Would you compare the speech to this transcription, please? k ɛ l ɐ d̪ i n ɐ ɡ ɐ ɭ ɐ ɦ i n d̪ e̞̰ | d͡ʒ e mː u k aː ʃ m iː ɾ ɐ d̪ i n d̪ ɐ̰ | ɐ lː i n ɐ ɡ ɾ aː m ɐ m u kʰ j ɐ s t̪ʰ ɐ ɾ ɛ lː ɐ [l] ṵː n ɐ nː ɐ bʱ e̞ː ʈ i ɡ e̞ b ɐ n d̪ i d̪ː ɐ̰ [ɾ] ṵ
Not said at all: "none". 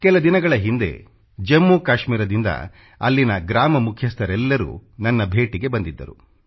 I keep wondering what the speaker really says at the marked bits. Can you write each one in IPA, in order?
ɾ, ɾ

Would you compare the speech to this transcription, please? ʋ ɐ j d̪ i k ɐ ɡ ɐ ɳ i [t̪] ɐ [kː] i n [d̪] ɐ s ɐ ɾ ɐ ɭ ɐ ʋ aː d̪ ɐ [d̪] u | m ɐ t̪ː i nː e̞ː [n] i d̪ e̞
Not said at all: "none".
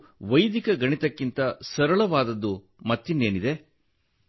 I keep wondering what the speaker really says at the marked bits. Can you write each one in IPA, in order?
t̪, kː, t̪, d̪ː, n

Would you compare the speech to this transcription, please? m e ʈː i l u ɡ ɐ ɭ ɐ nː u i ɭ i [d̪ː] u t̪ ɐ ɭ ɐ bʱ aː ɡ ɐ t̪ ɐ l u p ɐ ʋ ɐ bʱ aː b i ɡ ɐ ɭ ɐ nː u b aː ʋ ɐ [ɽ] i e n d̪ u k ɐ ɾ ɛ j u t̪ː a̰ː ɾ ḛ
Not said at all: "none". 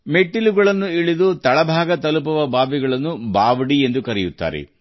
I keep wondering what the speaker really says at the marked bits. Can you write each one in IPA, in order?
d̪, ɽ

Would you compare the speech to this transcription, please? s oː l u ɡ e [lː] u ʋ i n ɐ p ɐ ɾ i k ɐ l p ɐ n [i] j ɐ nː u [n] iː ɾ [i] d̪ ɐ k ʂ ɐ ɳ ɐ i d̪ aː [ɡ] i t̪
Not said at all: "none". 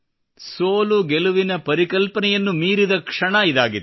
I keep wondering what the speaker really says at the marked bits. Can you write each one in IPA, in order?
l, ɛ, m, i, ɡ

